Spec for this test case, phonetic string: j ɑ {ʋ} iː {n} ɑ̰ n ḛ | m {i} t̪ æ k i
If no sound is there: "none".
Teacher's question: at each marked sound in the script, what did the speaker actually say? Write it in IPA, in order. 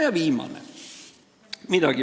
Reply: ʋ, m, i

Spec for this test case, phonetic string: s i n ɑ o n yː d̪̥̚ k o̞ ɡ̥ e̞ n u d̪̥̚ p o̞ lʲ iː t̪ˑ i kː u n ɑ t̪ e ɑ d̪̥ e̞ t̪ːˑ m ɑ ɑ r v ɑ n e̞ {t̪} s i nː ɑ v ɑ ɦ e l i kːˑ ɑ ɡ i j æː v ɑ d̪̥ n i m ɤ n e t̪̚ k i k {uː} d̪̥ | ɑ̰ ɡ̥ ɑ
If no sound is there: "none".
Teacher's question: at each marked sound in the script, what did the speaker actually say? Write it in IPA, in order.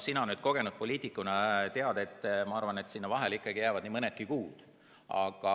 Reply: t̪, uː

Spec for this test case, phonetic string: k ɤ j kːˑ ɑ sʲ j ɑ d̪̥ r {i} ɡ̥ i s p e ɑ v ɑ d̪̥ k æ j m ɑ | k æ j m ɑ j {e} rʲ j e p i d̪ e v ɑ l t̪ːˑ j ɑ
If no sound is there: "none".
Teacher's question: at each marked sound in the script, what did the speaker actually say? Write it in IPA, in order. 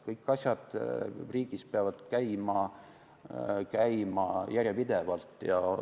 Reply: iː, æ

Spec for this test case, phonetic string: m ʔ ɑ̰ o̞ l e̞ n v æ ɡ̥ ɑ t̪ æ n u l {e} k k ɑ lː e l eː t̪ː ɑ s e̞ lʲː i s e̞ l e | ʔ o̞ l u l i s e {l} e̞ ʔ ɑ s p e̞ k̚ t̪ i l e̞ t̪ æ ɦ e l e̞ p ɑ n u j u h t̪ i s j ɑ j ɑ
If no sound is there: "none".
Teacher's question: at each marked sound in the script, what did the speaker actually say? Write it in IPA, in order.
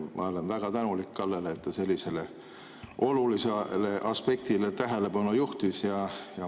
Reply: i, l

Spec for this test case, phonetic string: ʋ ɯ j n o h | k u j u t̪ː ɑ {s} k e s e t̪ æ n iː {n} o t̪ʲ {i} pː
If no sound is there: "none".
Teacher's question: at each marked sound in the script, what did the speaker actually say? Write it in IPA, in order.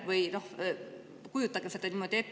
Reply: none, m, e

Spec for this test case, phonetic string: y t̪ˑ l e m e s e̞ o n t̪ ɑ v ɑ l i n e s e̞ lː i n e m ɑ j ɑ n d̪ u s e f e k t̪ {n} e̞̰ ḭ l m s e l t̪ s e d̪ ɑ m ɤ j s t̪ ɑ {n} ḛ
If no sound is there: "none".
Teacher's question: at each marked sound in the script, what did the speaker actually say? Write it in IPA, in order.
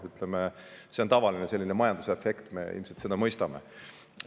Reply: m, m

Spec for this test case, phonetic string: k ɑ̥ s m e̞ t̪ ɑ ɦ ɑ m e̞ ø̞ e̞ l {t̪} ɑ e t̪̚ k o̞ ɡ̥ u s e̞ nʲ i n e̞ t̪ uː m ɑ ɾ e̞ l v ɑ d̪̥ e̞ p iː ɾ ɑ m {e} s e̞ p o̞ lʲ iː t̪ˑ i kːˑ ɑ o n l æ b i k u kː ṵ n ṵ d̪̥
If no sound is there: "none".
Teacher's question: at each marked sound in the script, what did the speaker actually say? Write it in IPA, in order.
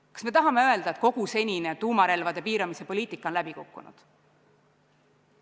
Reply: d̪, i

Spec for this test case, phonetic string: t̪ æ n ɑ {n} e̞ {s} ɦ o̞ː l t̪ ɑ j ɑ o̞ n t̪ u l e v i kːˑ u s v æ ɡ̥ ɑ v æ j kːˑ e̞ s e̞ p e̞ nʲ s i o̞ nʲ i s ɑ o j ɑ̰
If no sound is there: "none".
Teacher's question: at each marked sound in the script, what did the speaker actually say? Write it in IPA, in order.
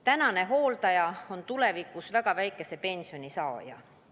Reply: n, none

